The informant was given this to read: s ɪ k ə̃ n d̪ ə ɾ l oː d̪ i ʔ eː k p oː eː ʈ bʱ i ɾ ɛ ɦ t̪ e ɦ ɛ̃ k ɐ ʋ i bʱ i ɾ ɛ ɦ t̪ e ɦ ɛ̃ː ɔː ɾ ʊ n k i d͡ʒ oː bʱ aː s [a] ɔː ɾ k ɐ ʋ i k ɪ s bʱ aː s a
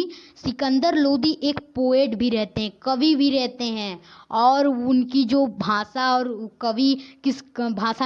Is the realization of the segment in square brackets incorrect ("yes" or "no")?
no